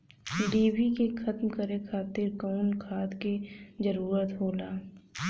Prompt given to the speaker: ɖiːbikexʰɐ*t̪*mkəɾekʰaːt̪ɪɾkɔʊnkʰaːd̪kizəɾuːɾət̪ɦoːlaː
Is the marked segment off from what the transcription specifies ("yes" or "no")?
no